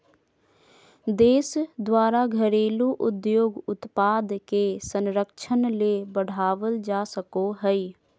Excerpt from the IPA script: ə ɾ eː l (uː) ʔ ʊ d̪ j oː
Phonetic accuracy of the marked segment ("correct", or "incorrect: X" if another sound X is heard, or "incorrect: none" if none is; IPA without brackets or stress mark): incorrect: u